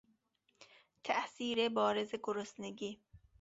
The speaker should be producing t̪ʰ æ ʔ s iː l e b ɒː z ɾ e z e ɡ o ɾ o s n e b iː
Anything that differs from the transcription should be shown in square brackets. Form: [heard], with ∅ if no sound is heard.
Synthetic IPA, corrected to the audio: t̪ʰ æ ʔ s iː [ɾ] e b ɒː [∅] ɾ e z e ɡ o ɾ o s n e [ɡ] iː